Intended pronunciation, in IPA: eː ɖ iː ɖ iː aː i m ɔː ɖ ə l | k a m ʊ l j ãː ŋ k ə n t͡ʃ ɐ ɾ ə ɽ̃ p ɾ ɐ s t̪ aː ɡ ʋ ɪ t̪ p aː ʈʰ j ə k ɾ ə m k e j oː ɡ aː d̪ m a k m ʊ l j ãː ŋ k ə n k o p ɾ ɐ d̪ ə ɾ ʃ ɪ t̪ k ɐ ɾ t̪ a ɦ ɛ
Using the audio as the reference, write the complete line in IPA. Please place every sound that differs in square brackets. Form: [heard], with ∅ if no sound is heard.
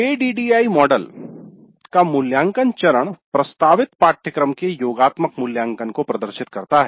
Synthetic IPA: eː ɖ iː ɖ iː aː i m ɔː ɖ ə l | k a m ʊ l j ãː ŋ k ə n t͡ʃ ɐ ɾ ə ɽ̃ p ɾ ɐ s t̪ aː [∅] ʋ ɪ t̪ p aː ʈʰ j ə k ɾ ə m k e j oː ɡ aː [t̪] m [ə] k m ʊ l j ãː ŋ k ə n k o p ɾ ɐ d̪ ə ɾ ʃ ɪ t̪ k ɐ ɾ t̪ a ɦ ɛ